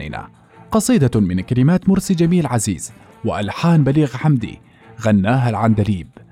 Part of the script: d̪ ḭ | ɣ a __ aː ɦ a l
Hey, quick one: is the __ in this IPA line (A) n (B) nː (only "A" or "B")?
B